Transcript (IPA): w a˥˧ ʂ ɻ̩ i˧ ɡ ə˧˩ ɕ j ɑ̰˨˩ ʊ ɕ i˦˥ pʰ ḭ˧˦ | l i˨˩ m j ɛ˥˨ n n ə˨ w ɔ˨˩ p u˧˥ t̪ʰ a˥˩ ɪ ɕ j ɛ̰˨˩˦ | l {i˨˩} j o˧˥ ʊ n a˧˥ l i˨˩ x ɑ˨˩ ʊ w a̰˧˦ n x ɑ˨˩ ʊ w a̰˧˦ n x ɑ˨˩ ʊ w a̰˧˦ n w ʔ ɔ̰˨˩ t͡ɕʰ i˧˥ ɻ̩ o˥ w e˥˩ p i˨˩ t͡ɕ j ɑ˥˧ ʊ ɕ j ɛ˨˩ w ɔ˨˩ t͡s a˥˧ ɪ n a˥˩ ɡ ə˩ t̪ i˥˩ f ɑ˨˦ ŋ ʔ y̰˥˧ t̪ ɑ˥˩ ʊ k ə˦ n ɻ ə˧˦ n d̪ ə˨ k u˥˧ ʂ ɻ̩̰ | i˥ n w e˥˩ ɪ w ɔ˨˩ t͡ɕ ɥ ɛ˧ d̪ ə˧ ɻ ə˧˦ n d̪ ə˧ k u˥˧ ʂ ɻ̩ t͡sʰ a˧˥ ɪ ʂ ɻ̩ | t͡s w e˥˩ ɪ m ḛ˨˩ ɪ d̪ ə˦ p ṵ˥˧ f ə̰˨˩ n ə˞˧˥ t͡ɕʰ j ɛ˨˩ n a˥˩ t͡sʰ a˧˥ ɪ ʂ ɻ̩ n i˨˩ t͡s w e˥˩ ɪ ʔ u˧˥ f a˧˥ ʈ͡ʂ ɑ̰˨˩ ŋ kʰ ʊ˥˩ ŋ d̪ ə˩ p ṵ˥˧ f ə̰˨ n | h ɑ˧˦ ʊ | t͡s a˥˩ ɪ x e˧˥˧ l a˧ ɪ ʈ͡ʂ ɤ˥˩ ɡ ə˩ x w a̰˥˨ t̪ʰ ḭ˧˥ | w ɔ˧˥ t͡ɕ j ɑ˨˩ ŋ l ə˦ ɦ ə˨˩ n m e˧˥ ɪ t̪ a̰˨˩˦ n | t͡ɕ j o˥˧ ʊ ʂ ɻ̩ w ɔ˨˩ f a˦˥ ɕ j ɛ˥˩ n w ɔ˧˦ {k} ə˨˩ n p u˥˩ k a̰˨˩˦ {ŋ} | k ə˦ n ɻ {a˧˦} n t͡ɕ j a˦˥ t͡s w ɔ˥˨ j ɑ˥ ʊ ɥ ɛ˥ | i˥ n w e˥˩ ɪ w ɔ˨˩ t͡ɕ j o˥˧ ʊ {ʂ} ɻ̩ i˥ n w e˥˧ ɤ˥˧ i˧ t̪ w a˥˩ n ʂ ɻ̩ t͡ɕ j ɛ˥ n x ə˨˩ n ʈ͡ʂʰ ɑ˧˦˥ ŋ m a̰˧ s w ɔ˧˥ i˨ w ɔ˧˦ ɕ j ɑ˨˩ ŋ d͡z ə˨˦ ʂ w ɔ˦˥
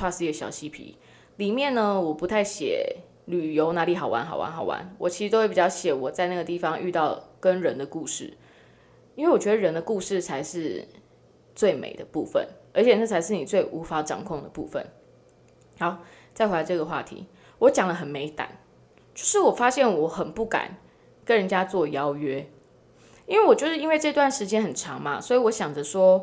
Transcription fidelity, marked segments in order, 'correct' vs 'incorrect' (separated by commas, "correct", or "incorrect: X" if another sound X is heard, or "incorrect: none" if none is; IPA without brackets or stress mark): incorrect: y˨˩, incorrect: x, incorrect: n, incorrect: ə˧˦, correct